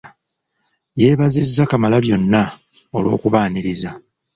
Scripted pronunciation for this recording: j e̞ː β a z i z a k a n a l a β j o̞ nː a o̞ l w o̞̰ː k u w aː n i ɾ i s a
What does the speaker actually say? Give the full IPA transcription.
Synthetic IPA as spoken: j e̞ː β a z i zː a k a m a l a β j o̞ nː a o̞ l w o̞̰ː k u β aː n i ɾ i z a